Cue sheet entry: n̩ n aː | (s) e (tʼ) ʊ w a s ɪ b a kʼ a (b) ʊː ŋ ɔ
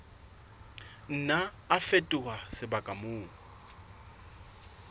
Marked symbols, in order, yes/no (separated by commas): no, yes, no